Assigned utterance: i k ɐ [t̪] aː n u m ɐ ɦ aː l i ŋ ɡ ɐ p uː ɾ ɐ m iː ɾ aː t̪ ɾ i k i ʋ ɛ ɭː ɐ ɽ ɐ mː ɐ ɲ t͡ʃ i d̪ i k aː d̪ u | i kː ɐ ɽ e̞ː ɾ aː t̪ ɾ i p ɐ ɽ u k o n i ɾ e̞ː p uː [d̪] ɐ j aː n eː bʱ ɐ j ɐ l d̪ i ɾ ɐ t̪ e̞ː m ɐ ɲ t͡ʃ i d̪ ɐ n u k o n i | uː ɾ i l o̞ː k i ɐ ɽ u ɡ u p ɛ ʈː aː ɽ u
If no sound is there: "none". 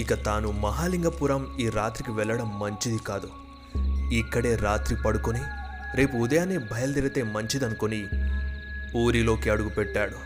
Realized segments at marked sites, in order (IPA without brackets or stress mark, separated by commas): t̪, d̪